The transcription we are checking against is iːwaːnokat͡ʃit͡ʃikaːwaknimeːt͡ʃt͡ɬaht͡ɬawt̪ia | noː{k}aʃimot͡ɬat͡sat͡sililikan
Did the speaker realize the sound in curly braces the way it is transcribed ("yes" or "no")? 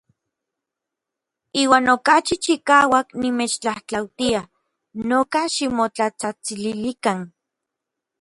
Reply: yes